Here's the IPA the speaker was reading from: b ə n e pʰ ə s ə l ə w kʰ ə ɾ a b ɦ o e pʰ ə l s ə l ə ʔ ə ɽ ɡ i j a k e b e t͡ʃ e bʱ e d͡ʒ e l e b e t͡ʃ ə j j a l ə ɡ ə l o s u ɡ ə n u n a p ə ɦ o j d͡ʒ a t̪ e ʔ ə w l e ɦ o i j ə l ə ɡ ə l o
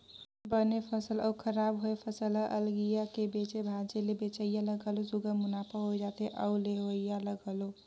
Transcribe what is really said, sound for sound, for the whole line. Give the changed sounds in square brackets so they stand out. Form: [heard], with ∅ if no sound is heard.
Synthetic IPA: b ə n e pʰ ə s ə l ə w kʰ ə ɾ a b ɦ o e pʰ ə [∅] s ə l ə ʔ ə [l] ɡ i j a k e b e t͡ʃ e bʱ [a] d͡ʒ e l e b e t͡ʃ ə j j a l ə ɡ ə l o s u ɡ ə [m] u n a p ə ɦ o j d͡ʒ a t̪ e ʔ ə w l e ɦ o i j [a] l ə ɡ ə l o